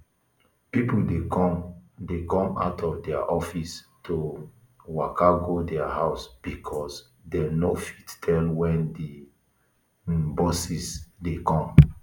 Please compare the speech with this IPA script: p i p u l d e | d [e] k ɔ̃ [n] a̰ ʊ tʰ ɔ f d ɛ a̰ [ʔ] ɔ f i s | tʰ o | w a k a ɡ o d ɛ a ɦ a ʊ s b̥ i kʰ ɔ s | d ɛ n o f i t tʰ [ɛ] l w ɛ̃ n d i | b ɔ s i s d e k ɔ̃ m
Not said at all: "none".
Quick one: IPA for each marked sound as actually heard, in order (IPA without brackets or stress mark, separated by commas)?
e, m, ʔ, ɛ